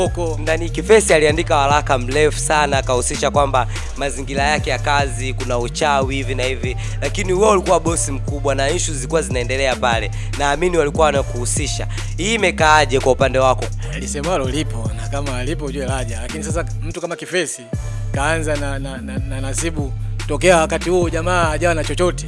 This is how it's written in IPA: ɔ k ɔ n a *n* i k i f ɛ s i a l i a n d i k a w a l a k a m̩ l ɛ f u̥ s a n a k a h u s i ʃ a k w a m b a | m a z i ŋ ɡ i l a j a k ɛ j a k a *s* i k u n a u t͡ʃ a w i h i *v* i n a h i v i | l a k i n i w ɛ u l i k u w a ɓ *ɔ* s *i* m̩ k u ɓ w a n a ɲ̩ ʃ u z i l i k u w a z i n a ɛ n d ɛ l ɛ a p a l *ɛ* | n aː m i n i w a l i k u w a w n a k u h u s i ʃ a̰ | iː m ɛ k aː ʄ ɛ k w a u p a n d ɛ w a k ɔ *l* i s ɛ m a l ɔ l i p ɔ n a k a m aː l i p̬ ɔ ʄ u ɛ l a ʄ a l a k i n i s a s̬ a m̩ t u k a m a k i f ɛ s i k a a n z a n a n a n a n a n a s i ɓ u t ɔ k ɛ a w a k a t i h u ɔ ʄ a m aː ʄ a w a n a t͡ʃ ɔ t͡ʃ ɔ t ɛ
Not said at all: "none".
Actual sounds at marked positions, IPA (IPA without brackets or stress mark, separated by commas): n, z, v, ɔ, i, ɛ, l